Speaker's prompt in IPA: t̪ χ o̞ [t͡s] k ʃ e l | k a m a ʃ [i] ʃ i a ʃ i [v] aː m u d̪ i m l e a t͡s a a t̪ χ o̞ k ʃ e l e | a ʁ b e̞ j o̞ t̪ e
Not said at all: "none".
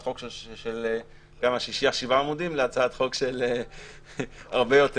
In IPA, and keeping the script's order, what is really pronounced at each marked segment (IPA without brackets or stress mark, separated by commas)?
none, i, v